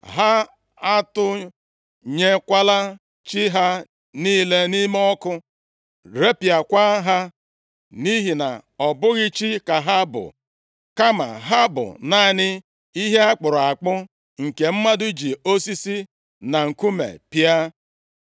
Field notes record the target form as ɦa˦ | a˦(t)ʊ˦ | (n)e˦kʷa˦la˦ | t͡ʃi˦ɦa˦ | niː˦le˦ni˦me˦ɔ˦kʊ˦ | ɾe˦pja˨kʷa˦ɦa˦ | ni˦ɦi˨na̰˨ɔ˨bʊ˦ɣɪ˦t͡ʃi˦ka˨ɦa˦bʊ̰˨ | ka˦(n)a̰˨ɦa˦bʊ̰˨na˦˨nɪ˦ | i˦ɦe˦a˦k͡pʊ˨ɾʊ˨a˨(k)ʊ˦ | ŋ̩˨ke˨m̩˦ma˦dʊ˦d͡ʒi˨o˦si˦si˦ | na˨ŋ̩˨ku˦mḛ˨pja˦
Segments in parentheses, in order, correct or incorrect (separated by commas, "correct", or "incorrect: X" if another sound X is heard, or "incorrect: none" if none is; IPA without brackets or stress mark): correct, incorrect: ɲ, incorrect: m, incorrect: k͡p